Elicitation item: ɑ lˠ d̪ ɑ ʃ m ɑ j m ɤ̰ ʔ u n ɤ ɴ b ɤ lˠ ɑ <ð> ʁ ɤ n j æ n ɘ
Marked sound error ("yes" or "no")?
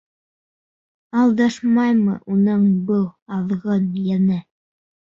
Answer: no